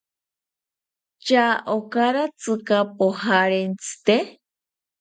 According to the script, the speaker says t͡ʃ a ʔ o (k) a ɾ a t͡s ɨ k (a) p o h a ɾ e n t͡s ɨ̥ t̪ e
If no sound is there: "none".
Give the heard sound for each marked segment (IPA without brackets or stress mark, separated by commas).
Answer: k, a